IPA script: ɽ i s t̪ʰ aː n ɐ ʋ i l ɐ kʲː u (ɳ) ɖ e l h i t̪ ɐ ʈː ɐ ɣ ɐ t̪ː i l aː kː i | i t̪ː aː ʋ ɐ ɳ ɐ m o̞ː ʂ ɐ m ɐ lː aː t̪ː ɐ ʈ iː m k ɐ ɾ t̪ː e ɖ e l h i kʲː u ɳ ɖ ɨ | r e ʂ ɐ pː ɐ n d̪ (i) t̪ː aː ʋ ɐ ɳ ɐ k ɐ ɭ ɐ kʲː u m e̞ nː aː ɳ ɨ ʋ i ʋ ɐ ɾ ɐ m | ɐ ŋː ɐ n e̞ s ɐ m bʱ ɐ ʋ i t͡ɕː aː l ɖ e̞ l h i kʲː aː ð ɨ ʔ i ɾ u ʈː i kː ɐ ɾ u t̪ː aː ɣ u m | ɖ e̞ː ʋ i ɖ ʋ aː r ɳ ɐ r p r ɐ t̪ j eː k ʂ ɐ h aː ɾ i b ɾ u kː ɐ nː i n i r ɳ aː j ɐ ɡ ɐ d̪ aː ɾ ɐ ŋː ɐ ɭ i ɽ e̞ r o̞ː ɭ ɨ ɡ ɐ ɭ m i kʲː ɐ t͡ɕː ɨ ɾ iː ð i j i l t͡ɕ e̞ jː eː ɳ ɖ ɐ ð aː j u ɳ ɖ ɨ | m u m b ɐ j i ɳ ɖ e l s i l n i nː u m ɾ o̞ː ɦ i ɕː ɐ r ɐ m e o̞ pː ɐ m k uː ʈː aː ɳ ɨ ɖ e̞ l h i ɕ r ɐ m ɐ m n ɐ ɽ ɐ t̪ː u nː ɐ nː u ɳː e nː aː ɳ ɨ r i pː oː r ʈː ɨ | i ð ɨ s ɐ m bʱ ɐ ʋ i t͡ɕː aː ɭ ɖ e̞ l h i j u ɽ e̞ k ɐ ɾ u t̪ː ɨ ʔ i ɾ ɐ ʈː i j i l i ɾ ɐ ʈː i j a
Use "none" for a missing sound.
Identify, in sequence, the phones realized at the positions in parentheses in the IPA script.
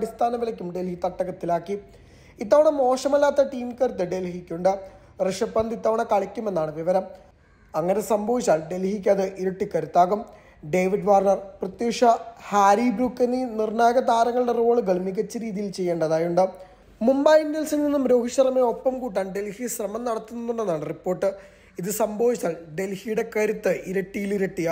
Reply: m, i

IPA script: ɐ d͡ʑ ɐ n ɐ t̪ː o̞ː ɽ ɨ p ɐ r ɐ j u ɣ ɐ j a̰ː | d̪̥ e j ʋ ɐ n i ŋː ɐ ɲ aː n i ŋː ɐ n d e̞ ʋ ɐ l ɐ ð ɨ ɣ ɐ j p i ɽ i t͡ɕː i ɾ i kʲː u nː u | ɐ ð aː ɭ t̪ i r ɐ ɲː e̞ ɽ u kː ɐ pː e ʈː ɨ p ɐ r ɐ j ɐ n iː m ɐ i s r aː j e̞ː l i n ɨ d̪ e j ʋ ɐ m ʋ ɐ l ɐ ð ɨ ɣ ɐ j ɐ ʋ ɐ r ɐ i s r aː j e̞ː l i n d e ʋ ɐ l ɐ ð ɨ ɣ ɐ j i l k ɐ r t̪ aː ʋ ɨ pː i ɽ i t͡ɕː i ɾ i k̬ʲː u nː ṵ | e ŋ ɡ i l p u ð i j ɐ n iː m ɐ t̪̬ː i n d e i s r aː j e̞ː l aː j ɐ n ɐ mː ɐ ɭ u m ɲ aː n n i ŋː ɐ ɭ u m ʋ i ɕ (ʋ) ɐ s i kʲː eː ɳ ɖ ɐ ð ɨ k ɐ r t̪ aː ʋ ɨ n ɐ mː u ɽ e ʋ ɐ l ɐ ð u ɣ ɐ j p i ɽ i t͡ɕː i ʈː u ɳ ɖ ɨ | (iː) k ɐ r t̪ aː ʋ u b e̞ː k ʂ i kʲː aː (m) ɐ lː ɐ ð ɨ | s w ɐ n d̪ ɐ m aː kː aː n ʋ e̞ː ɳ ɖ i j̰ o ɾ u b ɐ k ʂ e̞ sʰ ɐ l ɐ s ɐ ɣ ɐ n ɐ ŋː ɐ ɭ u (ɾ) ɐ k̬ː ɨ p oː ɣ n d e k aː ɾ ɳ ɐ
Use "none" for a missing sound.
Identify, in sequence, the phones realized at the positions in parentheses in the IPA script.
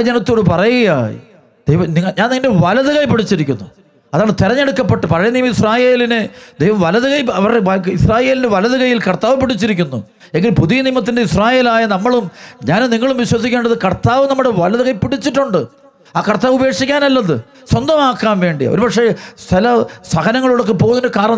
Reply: w, aː, n, ɽ

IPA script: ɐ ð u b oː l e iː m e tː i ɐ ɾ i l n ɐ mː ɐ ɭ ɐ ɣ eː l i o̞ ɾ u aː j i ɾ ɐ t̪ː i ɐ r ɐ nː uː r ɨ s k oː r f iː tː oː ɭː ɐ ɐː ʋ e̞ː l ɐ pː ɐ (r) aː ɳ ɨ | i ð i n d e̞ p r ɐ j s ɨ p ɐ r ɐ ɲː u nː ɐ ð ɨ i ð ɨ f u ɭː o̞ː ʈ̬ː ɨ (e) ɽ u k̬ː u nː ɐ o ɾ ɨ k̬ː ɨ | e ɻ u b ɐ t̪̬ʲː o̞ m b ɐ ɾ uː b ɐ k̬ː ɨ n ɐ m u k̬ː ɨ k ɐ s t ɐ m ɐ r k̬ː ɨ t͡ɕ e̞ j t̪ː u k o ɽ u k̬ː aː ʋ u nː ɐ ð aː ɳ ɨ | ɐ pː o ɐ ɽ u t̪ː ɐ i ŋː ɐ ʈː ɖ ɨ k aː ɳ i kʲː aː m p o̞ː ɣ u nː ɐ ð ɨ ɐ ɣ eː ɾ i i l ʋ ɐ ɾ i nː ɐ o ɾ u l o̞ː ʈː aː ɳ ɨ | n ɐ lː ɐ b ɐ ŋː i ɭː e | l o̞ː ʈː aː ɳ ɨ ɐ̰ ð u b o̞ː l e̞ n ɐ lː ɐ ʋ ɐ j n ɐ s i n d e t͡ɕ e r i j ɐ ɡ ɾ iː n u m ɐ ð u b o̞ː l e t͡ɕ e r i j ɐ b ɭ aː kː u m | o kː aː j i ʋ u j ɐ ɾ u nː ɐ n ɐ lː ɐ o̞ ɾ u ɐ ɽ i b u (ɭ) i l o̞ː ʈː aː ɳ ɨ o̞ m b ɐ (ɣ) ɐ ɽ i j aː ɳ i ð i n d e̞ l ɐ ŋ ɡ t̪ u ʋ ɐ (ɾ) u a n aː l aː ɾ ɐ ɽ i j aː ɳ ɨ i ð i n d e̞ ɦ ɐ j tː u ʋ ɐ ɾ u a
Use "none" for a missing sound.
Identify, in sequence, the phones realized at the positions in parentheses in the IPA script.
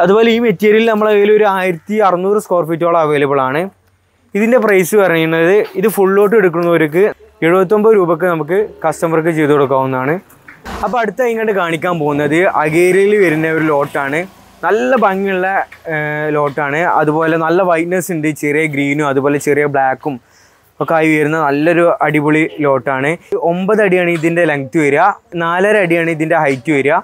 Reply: ɭ, e, ɭ, ð, ɾ

